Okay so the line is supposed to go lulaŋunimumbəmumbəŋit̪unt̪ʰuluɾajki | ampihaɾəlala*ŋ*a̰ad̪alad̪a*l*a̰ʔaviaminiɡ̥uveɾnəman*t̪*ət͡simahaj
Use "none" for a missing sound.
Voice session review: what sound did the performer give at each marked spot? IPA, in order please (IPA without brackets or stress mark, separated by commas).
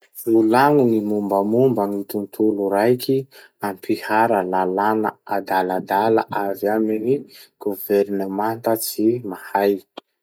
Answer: n, l, t̪